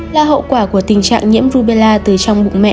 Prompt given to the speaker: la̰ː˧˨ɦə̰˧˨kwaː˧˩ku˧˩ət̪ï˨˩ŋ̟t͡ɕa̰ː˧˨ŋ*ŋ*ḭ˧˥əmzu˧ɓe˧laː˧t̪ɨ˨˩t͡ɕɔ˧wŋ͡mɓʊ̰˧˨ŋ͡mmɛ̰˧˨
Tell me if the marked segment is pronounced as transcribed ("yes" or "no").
no